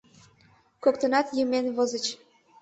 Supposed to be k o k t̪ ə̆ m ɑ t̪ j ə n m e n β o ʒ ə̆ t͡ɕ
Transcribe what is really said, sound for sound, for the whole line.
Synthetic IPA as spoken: k o k t̪ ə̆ n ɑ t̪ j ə m e n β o z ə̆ t͡ɕ